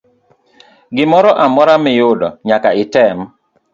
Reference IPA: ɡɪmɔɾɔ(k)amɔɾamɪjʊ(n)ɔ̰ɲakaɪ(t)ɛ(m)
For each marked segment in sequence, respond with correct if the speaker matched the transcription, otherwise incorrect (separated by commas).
incorrect, incorrect, correct, correct